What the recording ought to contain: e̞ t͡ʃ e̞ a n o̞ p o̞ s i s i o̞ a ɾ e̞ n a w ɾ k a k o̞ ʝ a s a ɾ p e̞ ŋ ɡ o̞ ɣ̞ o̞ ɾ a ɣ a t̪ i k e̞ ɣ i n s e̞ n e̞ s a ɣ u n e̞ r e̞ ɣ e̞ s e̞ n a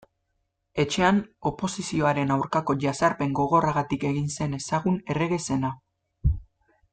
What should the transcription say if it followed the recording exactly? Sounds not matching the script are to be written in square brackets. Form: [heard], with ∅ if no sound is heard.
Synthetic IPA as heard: e̞ t͡ʃ e̞ a n o̞ p o̞ s i s i o̞ a ɾ e̞ n a w ɾ k a k o̞ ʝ a s a ɾ p e̞ ŋ ɡ o̞ ɣ̞ o̞ [r] a ɣ a t̪ i k e̞ ɣ i n s e̞ n e̞ s a ɣ u n e̞ r e̞ ɣ e̞ s e̞ n a